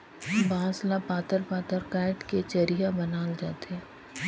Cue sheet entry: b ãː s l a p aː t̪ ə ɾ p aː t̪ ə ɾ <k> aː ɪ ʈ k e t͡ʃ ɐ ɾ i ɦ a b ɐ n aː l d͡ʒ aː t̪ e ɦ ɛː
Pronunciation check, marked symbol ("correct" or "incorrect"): correct